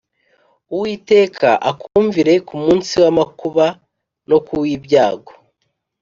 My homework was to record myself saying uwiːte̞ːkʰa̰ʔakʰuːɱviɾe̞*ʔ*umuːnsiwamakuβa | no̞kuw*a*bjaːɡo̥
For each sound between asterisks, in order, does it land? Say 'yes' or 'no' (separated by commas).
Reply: no, no